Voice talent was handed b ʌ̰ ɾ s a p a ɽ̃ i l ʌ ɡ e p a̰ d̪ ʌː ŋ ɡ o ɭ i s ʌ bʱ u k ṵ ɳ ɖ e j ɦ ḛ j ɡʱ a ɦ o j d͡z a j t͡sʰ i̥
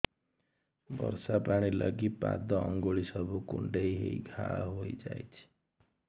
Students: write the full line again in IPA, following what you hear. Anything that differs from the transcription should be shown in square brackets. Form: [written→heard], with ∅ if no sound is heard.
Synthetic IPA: b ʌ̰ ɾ s a p a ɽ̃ i l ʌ ɡ [e→i] p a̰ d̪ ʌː ŋ ɡ o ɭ i s ʌ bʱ u k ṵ ɳ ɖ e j ɦ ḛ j ɡʱ a ɦ o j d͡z a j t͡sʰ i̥